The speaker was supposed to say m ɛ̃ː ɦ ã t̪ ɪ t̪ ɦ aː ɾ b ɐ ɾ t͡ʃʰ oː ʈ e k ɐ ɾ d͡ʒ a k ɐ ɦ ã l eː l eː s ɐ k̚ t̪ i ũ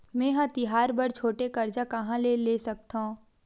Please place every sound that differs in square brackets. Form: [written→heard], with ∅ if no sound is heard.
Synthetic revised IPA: m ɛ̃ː ɦ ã t̪ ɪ [t̪→∅] ɦ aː ɾ b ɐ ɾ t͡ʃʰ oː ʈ e k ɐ ɾ d͡ʒ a k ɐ ɦ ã l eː l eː s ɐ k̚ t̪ [i→a] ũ